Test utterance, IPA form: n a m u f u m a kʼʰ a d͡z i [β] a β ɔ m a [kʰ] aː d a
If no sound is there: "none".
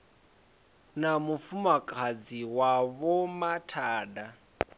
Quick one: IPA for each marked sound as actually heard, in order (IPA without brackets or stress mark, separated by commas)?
w, tʰ